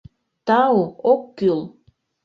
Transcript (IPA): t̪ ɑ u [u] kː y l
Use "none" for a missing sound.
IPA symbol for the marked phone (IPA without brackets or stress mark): o